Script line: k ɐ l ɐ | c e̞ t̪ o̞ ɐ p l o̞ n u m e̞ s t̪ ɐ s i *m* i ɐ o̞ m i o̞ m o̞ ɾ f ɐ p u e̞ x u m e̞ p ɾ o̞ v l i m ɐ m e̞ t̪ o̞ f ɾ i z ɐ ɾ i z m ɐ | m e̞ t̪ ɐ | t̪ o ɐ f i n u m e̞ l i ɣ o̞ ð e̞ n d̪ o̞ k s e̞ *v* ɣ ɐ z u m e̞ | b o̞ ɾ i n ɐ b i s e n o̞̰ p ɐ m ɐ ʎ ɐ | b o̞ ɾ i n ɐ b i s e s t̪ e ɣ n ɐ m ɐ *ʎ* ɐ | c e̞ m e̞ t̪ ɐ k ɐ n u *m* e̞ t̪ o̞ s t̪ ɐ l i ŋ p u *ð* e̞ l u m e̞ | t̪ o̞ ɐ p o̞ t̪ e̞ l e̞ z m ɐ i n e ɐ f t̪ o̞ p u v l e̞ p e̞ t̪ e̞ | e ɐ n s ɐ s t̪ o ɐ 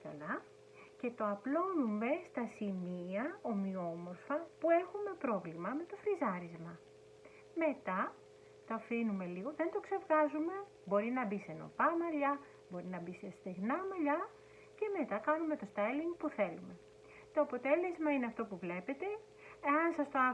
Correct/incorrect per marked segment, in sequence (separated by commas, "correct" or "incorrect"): correct, correct, correct, correct, incorrect